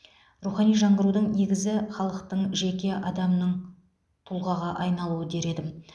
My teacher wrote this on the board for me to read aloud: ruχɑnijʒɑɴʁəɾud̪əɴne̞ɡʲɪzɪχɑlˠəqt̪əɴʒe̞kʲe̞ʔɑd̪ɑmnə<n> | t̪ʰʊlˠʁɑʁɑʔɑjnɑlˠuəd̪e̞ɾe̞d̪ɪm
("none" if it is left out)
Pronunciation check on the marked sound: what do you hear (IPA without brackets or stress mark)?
ɴ